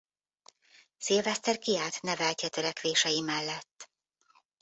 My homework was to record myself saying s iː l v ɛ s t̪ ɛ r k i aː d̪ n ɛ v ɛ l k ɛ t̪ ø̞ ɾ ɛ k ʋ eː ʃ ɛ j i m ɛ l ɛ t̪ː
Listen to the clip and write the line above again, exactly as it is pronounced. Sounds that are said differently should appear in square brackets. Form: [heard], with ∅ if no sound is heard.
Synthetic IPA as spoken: s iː l v ɛ s t̪ ɛ r k i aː [t̪] n ɛ v ɛ l [c] ɛ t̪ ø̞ ɾ ɛ k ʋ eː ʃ ɛ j i m ɛ [lː] ɛ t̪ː